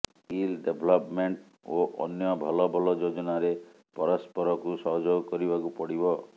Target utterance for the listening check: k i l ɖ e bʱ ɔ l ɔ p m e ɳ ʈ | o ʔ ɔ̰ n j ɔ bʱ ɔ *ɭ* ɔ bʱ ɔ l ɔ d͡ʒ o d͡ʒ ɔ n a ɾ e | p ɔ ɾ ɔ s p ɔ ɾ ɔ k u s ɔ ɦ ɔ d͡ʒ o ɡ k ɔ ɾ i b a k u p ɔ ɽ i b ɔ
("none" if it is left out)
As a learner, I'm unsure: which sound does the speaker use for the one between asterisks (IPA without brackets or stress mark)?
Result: l